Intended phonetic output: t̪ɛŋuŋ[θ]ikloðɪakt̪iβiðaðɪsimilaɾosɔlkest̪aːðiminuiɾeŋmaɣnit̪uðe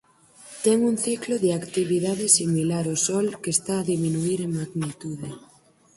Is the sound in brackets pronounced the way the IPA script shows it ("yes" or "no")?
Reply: yes